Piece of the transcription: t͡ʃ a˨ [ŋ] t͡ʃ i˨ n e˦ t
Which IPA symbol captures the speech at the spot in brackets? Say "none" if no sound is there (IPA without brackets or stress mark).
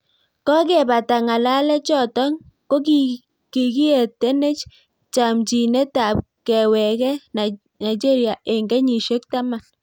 m